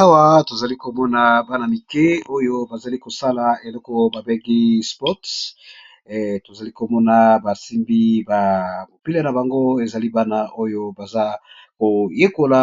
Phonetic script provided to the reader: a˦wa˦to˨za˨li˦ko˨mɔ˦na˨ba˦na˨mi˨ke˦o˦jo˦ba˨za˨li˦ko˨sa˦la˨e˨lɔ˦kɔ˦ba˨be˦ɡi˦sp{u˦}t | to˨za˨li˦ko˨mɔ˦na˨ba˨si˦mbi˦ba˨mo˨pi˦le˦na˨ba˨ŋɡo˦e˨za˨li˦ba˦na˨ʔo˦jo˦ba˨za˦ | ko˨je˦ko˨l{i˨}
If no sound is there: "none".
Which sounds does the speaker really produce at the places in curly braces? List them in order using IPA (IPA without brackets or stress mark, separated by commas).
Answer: ɔ˦, a˨